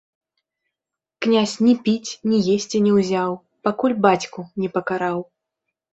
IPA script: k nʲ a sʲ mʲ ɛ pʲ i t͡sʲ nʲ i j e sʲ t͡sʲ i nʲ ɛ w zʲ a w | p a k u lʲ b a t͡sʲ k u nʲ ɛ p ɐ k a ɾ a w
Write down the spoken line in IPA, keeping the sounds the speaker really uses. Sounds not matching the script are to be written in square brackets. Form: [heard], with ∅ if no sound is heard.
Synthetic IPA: k nʲ a sʲ [nʲ] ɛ pʲ i t͡sʲ nʲ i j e sʲ t͡sʲ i nʲ ɛ w zʲ a w | p a k u lʲ b a t͡sʲ k u nʲ ɛ p ɐ k a ɾ a w